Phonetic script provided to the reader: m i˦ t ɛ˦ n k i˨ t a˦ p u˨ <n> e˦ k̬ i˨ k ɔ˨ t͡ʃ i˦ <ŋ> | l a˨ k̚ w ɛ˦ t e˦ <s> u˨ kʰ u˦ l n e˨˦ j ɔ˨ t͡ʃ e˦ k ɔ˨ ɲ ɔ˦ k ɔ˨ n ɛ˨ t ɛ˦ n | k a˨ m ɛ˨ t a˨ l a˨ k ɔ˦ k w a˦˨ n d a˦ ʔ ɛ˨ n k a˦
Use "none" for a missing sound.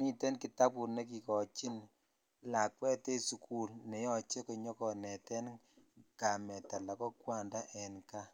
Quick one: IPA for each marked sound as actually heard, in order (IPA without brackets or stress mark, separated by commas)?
n, n, s